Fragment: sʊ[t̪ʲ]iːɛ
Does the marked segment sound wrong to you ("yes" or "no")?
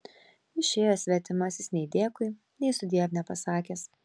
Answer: yes